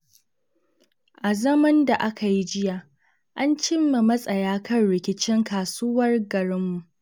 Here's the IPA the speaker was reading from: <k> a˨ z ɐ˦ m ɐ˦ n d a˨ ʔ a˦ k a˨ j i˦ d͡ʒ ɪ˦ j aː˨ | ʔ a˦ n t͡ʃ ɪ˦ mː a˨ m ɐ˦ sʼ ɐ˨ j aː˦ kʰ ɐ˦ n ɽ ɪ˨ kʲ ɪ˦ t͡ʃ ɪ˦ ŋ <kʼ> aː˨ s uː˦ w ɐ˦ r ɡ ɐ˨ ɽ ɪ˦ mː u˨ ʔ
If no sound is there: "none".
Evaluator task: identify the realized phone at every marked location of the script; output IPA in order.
ʔ, k

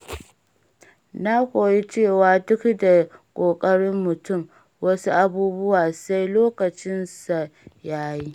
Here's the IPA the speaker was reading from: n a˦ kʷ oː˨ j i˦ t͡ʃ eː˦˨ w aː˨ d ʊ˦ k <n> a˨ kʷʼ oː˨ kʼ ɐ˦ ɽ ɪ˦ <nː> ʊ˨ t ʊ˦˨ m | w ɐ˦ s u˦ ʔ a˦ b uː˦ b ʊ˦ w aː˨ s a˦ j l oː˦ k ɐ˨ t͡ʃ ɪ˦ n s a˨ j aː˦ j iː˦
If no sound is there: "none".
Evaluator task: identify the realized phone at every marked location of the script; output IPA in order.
d, mː

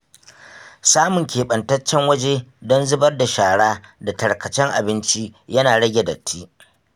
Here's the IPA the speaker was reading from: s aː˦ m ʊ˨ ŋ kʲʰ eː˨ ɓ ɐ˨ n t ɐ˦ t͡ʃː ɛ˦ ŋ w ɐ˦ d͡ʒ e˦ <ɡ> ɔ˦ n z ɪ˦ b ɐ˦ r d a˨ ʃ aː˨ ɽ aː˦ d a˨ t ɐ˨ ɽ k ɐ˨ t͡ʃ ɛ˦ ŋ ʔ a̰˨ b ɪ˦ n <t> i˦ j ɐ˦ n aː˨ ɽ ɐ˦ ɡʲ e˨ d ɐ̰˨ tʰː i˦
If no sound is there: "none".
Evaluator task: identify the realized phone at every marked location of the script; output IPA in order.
d, t͡ʃ

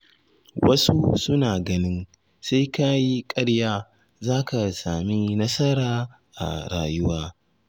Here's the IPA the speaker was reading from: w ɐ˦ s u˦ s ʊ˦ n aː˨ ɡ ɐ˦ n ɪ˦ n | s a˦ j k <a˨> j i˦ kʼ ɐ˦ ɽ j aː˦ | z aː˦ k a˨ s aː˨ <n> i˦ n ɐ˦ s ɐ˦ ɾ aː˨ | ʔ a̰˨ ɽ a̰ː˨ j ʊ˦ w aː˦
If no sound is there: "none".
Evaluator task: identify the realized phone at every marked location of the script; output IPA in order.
a˦, m

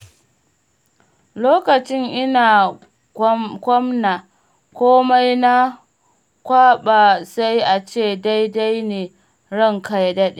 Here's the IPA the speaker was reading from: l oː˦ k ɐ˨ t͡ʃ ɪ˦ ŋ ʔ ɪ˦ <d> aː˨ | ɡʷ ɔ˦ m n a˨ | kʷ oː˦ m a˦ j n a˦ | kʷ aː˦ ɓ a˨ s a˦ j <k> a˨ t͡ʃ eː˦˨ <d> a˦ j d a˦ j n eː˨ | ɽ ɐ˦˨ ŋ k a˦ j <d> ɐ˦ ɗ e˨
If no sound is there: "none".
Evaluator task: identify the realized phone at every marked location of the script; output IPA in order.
n, ʔ, d, d

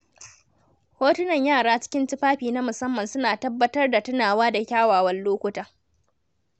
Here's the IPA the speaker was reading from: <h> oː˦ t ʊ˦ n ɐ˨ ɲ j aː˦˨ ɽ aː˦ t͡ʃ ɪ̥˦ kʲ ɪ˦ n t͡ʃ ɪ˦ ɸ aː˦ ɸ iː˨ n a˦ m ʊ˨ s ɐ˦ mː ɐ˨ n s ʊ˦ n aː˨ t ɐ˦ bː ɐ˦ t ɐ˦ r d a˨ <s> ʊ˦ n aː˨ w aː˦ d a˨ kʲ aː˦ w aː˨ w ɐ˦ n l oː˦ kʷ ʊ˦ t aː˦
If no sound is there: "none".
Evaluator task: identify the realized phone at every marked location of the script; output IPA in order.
h, t

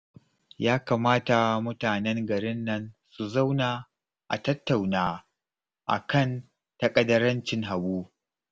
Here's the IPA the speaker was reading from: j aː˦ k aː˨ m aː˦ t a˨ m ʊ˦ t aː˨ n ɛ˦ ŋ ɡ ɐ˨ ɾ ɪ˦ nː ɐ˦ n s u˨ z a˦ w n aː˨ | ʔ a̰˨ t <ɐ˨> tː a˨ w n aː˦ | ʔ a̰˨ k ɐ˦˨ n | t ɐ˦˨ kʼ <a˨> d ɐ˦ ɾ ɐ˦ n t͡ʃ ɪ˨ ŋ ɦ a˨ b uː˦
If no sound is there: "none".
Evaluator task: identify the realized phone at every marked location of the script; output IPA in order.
ɐ˦, ɐ˨

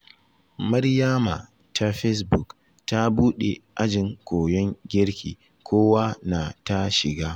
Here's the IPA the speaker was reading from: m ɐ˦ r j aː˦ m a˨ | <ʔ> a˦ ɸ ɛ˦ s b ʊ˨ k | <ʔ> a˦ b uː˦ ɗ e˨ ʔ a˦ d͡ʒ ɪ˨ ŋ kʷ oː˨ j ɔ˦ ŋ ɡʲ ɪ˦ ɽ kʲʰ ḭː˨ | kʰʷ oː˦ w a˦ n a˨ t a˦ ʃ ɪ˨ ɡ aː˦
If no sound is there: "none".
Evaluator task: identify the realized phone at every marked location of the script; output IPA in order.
t, t

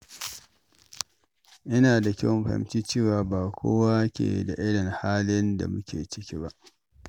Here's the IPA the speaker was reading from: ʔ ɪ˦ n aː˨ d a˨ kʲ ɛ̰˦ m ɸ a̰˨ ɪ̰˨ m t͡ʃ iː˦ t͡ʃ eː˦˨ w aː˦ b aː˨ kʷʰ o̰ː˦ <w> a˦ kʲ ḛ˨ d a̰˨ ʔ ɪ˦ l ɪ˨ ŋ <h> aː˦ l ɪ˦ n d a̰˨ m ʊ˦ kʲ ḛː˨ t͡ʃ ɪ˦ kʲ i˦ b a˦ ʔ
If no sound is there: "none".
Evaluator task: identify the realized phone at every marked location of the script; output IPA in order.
w, h

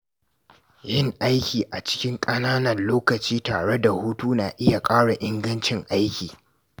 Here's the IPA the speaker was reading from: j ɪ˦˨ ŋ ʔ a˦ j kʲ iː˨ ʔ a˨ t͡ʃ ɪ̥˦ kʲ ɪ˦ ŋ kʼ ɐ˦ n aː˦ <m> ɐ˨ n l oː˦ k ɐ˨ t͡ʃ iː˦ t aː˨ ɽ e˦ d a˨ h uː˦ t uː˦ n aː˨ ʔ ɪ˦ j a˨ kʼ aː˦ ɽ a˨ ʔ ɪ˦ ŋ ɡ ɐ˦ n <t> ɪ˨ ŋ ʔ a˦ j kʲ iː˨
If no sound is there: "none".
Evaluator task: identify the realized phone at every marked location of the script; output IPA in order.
n, t͡ʃ

